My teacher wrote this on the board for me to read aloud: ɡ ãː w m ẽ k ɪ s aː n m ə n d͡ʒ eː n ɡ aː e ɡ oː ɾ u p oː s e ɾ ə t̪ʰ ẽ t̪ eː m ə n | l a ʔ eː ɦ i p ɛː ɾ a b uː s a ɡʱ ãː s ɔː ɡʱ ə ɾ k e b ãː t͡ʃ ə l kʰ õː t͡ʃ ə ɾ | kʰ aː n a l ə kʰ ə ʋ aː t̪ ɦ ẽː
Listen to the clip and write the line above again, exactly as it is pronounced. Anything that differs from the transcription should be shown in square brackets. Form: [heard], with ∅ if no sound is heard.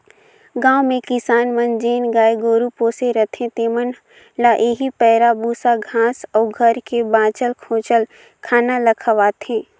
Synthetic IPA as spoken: ɡ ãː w m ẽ k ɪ s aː n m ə n d͡ʒ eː n ɡ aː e ɡ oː ɾ u p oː s e ɾ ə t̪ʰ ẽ t̪ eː m ə n | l a ʔ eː ɦ i p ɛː ɾ a b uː s a ɡʱ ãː s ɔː ɡʱ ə ɾ k e b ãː t͡ʃ ə l kʰ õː t͡ʃ ə [l] | kʰ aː n a l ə kʰ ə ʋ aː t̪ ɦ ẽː